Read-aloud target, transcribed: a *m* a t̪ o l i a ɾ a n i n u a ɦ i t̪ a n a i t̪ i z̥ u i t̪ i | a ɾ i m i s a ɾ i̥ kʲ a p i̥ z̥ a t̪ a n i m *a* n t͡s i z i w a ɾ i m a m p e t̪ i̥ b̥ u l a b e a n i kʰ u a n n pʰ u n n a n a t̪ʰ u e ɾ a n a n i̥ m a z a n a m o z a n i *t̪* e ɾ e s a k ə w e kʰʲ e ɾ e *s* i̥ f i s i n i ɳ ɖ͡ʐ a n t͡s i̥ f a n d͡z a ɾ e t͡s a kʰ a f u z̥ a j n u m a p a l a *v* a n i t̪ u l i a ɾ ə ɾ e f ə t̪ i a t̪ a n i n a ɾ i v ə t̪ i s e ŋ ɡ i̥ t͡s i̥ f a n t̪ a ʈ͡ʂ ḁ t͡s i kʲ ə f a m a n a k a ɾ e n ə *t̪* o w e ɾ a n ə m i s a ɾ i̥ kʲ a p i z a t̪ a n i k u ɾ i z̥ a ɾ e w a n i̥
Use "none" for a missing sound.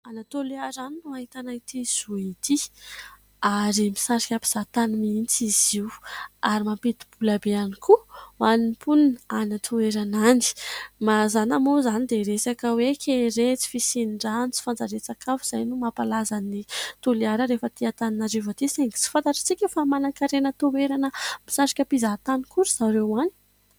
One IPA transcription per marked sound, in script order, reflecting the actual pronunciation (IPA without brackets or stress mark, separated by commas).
n, i, d̪, t͡s, z, t̪